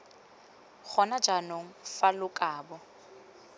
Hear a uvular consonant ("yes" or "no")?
no